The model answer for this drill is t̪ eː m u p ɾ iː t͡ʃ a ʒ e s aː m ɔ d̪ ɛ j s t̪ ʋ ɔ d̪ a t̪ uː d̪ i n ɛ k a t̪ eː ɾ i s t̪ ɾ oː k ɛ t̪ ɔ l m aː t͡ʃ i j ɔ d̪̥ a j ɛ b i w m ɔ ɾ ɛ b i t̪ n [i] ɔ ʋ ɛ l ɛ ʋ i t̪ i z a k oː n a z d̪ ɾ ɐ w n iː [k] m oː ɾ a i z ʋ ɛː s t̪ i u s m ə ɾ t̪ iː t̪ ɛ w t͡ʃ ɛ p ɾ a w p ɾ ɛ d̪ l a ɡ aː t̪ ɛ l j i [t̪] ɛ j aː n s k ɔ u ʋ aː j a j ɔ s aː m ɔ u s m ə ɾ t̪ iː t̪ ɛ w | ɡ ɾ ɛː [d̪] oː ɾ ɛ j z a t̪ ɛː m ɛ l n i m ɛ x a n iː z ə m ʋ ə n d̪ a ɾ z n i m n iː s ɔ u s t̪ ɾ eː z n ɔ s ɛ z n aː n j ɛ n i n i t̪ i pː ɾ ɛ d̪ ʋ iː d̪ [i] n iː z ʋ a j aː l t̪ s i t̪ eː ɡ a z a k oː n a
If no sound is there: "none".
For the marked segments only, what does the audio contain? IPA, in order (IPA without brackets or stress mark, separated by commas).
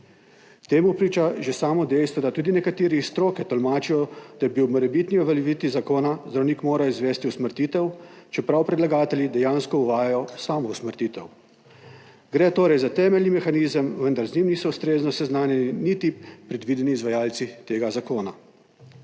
i, k, d̪, t̪, ɛ